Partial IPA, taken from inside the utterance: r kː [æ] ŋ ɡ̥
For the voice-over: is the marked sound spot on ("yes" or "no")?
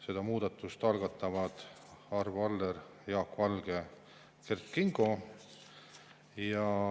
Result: no